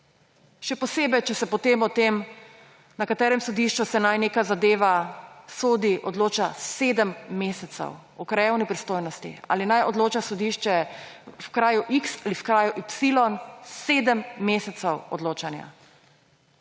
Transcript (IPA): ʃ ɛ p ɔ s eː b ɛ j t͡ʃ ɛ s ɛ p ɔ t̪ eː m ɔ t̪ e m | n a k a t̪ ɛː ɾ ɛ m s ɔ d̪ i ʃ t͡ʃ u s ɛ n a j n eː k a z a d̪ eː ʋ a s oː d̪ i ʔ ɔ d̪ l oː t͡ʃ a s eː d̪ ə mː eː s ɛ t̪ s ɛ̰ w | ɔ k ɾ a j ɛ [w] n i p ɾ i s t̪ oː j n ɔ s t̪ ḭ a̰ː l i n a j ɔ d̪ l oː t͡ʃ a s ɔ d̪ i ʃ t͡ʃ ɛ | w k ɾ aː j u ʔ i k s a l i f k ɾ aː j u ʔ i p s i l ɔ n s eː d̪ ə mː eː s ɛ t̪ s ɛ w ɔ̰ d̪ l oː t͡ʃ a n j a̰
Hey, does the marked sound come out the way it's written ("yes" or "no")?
yes